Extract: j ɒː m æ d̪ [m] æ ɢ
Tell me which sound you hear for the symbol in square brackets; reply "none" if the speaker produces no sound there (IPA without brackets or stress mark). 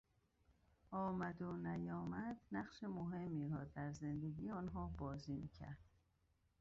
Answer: n